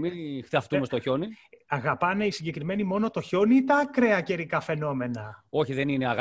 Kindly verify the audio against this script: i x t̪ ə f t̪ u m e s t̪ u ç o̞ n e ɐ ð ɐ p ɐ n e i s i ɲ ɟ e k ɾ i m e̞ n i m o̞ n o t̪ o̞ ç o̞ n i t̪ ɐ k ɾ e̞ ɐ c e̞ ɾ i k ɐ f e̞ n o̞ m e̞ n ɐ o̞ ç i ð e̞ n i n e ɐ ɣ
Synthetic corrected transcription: i x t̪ ɐ f t̪ u m e s t̪ o ç o̞ n i ɐ ɣ ɐ p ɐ n e i s i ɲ ɟ e k ɾ i m e̞ n i m o̞ n o t̪ o̞ ç o̞ n i t̪ ɐ k ɾ e̞ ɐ c e̞ ɾ i k ɐ f e̞ n o̞ m e̞ n ɐ o̞ ç i ð e̞ n i n e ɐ ɣ